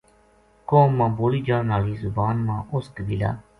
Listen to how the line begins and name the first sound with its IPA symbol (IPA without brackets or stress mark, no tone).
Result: k